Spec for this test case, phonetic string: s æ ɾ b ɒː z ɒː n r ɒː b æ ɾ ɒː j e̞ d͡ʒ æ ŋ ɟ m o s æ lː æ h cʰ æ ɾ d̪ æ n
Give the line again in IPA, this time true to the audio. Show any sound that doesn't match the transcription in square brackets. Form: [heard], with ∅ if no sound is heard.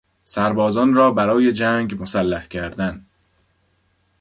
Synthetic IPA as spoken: s æ ɾ b ɒː z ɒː n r ɒː b æ ɾ ɒː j e̞ d͡ʒ æ ŋ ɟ m o s æ lː æ h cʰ æ ɾ d̪ æ n